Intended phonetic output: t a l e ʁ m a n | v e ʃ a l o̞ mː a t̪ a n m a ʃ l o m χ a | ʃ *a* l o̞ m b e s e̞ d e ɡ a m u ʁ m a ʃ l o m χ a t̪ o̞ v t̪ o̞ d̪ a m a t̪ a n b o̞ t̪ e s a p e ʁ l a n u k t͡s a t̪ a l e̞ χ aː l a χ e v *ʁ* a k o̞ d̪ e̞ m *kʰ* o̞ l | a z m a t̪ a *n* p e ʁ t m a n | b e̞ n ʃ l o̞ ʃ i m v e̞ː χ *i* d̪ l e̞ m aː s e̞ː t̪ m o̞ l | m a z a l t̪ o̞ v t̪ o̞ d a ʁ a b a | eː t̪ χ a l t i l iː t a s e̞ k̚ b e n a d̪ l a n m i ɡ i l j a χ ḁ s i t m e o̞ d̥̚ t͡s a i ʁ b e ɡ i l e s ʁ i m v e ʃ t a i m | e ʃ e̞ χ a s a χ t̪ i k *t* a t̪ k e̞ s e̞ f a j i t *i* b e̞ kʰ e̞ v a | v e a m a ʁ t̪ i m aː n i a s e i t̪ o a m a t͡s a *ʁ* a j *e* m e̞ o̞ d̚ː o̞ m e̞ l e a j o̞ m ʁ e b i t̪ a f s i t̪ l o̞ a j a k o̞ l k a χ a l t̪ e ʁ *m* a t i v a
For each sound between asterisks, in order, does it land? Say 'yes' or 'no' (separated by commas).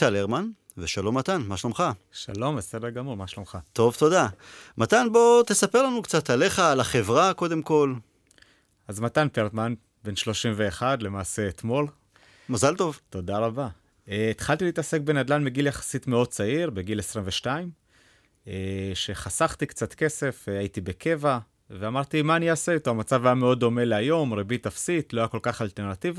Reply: yes, yes, no, yes, no, no, yes, no, no, no